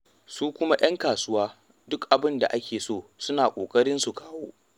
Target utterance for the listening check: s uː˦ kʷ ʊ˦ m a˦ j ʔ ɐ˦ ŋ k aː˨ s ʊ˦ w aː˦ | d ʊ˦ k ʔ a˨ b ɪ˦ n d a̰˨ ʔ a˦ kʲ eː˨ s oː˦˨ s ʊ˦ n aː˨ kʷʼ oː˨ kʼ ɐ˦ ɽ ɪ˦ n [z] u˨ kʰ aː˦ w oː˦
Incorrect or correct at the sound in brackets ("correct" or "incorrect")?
incorrect